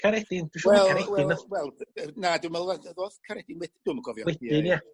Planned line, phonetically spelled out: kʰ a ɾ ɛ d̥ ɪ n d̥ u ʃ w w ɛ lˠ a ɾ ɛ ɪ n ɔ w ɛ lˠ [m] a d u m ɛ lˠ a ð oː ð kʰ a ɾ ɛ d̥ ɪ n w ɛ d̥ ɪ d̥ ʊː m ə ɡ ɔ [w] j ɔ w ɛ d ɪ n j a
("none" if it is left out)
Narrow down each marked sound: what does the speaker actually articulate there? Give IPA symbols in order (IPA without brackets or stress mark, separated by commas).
n, v